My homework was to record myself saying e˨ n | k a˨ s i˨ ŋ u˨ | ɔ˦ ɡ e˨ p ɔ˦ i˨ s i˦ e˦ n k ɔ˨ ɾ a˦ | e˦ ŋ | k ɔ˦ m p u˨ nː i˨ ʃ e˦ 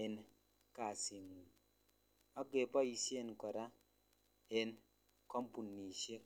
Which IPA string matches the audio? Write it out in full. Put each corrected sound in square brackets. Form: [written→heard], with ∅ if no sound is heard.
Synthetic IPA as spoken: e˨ n | k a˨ s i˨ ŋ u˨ | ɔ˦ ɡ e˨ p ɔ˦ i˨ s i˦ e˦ n k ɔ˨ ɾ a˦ | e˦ [ŋ→n] | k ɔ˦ m p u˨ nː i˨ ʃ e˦